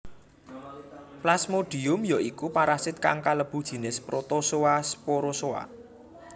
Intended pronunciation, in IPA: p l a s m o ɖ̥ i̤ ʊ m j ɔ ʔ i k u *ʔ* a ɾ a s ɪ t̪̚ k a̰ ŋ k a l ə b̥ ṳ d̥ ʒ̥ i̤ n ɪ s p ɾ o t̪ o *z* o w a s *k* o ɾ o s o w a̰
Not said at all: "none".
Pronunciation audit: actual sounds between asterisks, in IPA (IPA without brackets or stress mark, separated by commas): p, s, p